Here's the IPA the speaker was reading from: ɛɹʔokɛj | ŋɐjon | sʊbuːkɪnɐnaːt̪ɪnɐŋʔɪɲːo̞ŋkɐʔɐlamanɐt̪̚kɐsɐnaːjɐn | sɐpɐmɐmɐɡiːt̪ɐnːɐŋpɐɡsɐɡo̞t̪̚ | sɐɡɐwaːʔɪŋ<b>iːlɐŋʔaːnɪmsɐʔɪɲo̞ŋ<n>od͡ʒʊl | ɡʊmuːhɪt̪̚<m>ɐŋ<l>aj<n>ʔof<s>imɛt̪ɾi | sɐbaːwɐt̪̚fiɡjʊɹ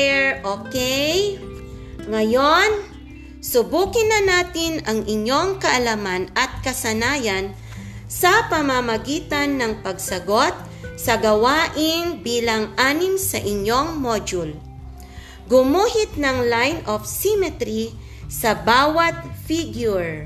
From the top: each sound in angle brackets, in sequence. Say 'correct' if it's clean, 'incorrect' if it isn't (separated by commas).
correct, incorrect, incorrect, correct, correct, correct